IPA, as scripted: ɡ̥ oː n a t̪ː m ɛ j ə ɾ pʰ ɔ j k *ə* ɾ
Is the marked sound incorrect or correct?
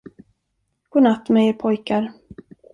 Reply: incorrect: a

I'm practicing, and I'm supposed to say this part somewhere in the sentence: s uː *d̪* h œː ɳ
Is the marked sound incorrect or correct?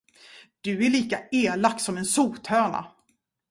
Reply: incorrect: t̪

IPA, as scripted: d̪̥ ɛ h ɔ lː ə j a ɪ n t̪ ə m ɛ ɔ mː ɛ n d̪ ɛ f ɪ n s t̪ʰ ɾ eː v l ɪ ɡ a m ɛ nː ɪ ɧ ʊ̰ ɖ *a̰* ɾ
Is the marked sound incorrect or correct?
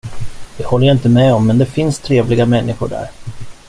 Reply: incorrect: æ̰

